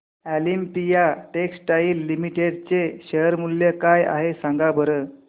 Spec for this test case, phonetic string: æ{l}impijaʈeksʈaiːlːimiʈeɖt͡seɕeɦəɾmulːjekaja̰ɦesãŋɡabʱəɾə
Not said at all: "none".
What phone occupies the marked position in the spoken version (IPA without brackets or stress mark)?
l